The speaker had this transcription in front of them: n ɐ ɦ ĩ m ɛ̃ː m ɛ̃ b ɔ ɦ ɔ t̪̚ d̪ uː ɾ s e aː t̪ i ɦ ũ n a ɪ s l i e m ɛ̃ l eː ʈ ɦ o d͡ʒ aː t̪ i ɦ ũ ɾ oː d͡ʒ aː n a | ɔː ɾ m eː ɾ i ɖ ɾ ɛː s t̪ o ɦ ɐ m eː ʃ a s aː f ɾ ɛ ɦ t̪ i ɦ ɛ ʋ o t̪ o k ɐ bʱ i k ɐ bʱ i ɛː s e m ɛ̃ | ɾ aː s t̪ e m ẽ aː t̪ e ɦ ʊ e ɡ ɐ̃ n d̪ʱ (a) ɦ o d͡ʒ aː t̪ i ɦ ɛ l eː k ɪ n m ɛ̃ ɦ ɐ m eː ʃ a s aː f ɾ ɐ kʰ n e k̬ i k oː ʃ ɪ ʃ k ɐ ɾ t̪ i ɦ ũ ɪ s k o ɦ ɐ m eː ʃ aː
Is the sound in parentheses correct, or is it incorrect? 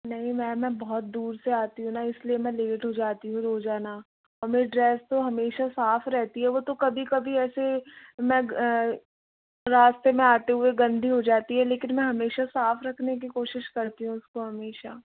incorrect